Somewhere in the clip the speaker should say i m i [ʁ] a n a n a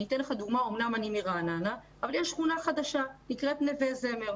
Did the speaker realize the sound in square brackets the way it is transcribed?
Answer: yes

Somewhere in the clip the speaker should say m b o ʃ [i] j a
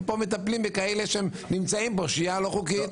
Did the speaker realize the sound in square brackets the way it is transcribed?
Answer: yes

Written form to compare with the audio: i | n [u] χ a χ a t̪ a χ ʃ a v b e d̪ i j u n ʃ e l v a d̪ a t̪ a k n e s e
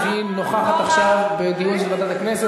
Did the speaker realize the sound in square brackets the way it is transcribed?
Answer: no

